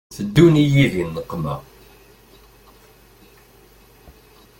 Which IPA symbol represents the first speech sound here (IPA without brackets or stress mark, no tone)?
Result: θ